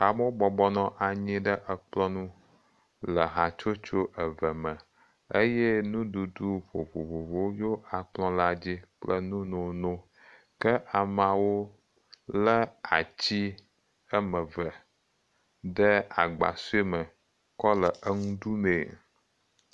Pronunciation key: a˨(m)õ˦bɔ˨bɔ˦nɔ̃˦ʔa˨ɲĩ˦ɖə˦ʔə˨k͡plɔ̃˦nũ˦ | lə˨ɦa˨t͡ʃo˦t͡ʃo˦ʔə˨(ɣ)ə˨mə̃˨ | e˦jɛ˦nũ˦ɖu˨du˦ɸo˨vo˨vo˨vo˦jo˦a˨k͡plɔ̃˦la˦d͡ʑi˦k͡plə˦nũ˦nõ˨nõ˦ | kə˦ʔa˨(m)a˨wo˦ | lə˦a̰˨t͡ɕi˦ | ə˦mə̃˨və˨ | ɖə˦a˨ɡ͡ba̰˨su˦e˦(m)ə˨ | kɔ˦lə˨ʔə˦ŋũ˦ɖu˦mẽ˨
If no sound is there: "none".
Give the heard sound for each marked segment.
m, v, m, m

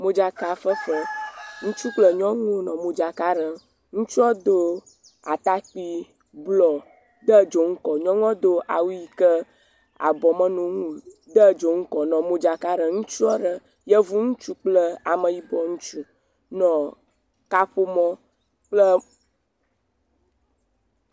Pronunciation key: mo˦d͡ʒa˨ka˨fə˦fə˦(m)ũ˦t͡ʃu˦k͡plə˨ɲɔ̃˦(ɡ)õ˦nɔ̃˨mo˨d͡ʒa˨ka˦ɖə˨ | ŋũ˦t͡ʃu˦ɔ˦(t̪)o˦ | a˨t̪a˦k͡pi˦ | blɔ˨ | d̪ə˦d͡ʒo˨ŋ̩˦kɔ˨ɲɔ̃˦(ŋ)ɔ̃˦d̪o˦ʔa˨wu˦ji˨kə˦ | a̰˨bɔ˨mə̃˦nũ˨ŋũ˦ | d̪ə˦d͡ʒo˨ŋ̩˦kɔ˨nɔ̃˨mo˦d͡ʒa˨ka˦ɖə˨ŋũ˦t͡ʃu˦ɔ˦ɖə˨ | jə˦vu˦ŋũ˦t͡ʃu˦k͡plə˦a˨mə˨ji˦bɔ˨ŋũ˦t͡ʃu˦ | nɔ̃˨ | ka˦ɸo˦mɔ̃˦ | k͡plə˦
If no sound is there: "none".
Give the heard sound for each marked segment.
ŋ, ŋ, d̪, ŋ

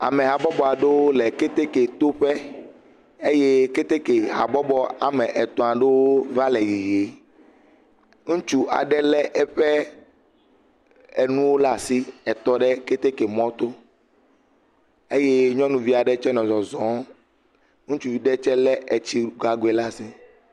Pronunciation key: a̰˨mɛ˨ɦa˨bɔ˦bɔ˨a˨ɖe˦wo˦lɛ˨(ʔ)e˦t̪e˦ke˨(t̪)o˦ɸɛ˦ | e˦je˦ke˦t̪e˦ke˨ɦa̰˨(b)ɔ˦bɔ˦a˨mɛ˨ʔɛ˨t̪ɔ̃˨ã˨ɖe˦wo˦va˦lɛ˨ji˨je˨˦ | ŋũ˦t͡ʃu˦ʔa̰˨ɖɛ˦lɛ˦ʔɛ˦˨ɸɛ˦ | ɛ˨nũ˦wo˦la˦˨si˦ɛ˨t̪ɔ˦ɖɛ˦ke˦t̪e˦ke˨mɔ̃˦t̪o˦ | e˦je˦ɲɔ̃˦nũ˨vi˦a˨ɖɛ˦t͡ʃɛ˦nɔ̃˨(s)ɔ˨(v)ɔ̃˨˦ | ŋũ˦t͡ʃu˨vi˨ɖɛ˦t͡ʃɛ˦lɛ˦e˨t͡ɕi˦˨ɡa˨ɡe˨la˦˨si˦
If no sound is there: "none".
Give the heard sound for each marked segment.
k, t̪, b, z, z

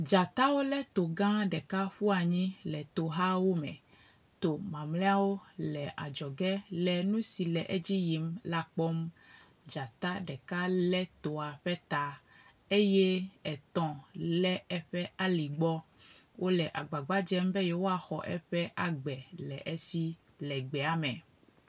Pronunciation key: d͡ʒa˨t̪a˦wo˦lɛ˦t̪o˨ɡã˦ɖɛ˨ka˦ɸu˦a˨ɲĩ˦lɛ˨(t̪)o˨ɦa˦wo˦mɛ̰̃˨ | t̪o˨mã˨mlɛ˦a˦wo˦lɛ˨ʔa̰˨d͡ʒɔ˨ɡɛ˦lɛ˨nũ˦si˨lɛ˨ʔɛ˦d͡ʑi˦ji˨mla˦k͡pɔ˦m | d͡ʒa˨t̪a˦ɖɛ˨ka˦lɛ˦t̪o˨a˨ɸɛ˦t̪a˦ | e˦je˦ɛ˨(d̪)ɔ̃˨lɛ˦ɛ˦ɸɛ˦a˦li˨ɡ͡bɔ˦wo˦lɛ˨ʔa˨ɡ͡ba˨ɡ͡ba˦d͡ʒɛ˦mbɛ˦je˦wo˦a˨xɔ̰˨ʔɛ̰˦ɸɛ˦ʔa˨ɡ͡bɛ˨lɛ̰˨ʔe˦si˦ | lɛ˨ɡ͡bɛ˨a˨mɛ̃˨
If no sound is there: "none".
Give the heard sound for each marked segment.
t̪, t̪

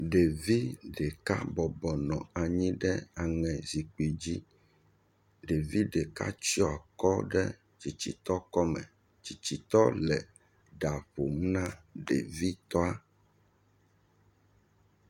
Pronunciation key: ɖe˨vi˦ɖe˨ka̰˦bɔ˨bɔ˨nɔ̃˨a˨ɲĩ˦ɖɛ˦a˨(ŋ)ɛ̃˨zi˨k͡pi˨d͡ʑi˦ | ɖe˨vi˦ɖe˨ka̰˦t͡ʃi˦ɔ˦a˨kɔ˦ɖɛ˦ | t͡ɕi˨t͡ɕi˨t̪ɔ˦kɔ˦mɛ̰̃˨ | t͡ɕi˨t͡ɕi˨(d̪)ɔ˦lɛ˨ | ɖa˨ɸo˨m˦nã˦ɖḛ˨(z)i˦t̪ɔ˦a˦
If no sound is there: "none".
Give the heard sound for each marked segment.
ŋ, t̪, v

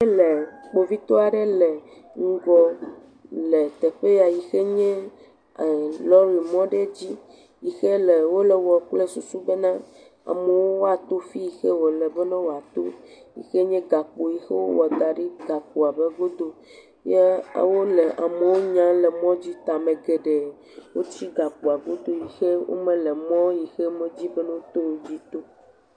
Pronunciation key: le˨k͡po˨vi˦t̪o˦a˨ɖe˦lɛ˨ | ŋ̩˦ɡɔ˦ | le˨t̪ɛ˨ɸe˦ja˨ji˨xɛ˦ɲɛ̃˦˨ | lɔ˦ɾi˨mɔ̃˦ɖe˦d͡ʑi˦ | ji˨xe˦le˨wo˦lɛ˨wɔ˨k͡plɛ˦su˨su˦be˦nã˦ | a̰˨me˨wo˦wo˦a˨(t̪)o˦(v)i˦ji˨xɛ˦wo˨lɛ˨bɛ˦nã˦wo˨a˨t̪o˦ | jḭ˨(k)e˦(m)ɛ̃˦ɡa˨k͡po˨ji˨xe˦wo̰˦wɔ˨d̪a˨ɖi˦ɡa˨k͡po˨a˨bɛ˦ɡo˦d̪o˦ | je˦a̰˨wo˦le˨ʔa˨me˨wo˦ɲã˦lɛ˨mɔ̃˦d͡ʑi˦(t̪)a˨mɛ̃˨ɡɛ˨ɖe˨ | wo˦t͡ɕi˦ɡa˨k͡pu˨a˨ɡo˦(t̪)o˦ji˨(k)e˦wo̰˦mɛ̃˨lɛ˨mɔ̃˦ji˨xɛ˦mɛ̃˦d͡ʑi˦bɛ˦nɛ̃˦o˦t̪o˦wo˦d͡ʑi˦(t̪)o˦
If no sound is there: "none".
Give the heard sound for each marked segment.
t̪, f, x, ɲ, t̪, d̪, x, t̪

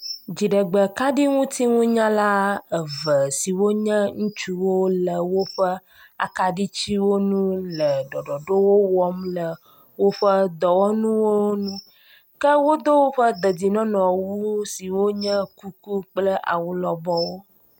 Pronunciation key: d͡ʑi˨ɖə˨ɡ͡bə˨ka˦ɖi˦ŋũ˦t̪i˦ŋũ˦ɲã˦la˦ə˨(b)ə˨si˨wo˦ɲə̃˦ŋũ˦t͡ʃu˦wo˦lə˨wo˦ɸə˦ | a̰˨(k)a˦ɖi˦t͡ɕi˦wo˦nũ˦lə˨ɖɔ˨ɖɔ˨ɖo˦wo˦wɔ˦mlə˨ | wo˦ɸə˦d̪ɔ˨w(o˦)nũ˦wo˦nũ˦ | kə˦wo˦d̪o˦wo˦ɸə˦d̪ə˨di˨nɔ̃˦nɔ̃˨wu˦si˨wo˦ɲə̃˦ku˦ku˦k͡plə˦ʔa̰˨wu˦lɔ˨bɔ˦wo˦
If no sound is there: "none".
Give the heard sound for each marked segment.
v, k, ɔ˦

